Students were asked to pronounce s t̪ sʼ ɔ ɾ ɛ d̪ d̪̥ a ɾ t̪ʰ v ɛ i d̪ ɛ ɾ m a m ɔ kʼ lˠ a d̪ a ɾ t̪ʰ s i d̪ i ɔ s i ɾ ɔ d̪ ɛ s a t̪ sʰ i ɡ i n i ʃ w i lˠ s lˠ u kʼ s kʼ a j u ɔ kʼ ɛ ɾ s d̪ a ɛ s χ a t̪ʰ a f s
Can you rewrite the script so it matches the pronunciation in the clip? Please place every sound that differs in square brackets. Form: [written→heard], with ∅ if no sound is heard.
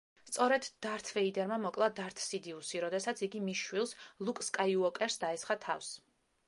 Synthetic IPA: s t̪ sʼ ɔ ɾ ɛ d̪ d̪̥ a ɾ t̪ʰ v ɛ i d̪ ɛ ɾ m a m ɔ kʼ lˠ a d̪ a ɾ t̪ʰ s i d̪ i [ɔ→u] s i ɾ ɔ d̪ ɛ s a t̪ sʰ i ɡ i [n→m] i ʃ w i lˠ s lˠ u kʼ s kʼ a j u ɔ kʼ ɛ ɾ s d̪ a ɛ s χ a t̪ʰ a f s